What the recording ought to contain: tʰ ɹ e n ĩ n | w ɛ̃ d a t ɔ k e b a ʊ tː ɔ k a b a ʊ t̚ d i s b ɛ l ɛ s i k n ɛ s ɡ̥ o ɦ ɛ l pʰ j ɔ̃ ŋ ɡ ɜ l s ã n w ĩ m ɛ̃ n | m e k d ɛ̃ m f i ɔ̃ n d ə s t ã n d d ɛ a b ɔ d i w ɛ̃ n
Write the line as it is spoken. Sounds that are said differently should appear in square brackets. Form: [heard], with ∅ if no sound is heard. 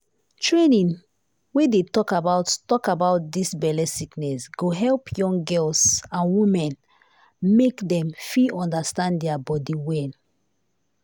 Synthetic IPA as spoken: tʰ ɹ e n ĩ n | w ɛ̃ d [e] t ɔ k [a] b a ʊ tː ɔ k a b a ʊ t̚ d i s b ɛ l ɛ s i k n ɛ s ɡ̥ o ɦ ɛ l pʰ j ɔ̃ ŋ ɡ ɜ l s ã n w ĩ m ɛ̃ n | m e k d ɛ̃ m f i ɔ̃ n d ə s t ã n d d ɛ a b ɔ d i w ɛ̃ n

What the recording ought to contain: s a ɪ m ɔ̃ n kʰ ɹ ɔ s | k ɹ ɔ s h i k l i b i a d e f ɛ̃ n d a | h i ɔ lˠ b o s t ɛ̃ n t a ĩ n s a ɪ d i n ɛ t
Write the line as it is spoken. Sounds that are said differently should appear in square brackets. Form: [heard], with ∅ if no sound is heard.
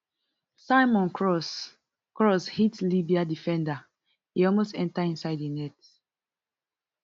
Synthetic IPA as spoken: s a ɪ m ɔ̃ n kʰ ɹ ɔ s | k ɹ ɔ s h i [t] l i b i a d [i] f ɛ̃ n d a | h i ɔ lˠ [m] o s t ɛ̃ n t a ĩ n s a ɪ d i n ɛ t

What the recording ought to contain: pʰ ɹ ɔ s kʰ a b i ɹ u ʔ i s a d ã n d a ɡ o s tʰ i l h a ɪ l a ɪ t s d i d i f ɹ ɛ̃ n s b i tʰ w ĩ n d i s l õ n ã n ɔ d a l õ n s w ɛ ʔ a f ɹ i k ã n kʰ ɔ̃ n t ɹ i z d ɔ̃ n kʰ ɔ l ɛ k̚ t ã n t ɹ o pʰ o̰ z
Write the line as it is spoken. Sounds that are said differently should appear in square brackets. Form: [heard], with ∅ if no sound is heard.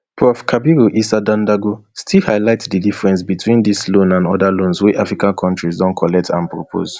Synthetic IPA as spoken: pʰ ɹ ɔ [f] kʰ a b i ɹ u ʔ i s a d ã n d a ɡ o s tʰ i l h a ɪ l a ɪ t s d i d i f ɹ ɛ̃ n s b i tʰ w ĩ n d i s l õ n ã n ɔ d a l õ n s w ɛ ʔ a f ɹ i k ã n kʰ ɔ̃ n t ɹ i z d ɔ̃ n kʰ ɔ l ɛ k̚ t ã n [p] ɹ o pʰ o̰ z

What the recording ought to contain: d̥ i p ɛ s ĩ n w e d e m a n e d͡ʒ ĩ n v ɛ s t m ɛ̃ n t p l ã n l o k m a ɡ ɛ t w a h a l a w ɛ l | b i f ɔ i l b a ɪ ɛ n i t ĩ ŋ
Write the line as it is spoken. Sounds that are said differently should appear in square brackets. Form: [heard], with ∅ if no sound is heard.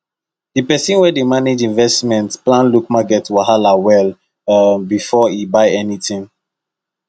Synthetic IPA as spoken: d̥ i p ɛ s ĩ n w [ɛ] d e m a n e d͡ʒ ĩ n v ɛ s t m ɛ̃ n t p l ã n l [u] k m a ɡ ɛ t w a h a l a w ɛ l | b i f ɔ i [∅] b a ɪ ɛ n i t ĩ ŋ

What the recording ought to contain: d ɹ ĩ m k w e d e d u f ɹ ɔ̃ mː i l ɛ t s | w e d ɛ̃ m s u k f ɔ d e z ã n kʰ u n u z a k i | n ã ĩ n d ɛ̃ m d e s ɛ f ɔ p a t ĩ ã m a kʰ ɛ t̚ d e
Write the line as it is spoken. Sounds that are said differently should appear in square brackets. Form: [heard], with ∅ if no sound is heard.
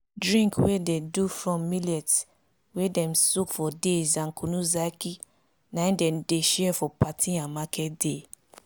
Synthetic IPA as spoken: d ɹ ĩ [ŋ] k w e d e d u f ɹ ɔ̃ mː i l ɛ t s | w e d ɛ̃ m s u k f ɔ d e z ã n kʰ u n u z a k i | n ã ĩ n d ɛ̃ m d e [ʃ] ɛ f ɔ p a t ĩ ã m a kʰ ɛ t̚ d e

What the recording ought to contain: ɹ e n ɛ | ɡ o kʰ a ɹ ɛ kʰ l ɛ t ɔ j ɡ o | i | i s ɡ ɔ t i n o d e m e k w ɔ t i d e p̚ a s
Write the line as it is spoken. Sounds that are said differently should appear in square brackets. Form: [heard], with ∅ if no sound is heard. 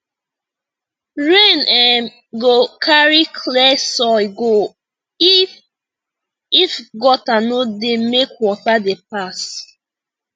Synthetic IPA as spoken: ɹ e n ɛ | ɡ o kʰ a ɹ [i] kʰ l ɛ [s] ɔ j ɡ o | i | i [f] ɡ ɔ t [a] n o d e m e k w ɔ t [a] d e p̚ a s

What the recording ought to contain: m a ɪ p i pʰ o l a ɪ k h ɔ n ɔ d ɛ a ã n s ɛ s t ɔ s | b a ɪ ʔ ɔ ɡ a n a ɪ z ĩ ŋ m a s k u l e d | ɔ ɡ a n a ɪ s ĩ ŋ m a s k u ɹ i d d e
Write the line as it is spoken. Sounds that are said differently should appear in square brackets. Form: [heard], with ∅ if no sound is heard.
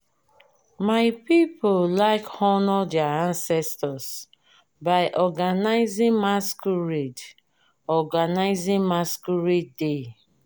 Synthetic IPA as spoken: m a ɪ p i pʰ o l a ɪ k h ɔ n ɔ d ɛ a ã n s ɛ s t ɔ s | b a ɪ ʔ ɔ ɡ a n a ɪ z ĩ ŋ m a s k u [ɹ] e d | ɔ ɡ a n a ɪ [z] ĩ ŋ m a s k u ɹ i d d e

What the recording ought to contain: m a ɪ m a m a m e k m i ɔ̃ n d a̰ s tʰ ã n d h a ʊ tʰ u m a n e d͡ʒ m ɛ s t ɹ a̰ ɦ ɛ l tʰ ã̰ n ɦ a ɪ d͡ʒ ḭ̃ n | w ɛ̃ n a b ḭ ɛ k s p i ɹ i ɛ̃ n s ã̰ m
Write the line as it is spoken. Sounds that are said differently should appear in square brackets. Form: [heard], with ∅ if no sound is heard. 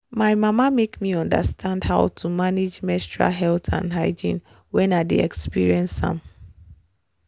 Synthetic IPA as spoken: m a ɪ m a m a m e k m i ɔ̃ n d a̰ s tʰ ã n d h a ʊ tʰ u m a n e d͡ʒ m ɛ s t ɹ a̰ ɦ ɛ l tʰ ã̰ n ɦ a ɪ d͡ʒ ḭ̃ n | w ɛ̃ n a [d] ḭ ɛ k s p i ɹ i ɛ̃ n s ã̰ m

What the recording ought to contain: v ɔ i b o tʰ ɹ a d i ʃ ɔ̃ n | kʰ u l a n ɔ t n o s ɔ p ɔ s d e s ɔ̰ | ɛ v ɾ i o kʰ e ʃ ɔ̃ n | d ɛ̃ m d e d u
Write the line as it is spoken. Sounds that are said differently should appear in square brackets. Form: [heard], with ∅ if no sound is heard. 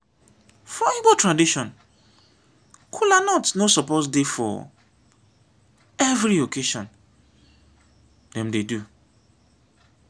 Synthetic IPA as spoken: [f] ɔ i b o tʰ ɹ a d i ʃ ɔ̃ n | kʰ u l a n ɔ t n o s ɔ p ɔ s d e [f] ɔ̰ | ɛ v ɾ i o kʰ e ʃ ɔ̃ n | d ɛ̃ m d e d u

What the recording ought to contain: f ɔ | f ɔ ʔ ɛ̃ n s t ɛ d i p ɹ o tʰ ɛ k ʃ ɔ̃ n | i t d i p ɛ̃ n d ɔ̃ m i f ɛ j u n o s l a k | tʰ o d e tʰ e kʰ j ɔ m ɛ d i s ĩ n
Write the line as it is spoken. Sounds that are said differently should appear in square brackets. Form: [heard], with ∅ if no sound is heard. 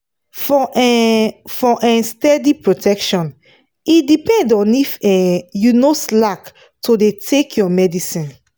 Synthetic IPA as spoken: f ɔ | f ɔ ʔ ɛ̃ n s t ɛ d i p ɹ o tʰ ɛ k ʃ ɔ̃ n | i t d i p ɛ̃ n d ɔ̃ [n] i f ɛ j u n o s l a k | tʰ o d e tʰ e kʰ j ɔ m ɛ d i s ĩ n

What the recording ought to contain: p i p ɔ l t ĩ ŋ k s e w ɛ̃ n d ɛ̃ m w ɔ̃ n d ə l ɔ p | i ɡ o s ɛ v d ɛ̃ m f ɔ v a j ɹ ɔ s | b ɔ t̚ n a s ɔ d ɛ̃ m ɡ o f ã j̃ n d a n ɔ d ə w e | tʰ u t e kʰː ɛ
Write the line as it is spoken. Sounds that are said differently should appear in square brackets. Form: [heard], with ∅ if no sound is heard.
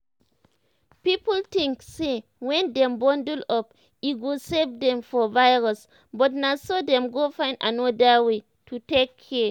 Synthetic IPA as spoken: p i p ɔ l t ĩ ŋ k s e w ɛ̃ n d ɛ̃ m [b] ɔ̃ n d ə l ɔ p | i ɡ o s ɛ v d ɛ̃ m f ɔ v a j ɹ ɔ s | b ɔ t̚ n a s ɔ d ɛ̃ m ɡ o f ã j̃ n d a n ɔ d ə w e | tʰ u t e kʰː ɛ

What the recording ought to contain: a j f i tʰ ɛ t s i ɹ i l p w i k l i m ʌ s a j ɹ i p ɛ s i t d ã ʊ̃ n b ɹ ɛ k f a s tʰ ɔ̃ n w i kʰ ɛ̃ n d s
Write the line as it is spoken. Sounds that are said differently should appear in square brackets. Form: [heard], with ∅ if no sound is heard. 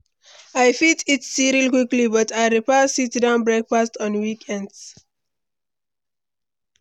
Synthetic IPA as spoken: a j f i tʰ [i] t s i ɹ i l [k] w i k l i [b] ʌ [t] a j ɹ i p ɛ s i t d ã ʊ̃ n b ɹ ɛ k f a s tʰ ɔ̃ n w i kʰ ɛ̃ n d s

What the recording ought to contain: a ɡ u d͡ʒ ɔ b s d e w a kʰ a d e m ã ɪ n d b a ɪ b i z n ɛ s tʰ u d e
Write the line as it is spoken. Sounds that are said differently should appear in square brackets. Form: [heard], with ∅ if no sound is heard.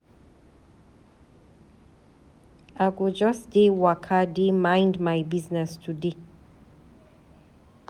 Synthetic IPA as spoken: a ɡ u d͡ʒ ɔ [∅] s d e w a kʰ a d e m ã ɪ n d [m] a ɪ b i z n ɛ s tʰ u d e

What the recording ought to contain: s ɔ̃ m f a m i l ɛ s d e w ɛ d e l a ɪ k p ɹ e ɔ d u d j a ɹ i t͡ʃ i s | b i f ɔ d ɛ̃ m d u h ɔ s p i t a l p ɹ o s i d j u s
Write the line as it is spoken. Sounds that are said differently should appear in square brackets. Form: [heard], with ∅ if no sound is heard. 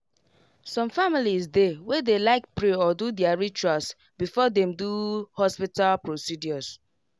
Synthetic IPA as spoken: s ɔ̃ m f a m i l [i] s d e w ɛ d e l a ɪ k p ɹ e ɔ d u d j a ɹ i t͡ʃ [a] s | b i f ɔ d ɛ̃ m d u h ɔ s p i t a l p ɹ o s i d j [ɔ] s

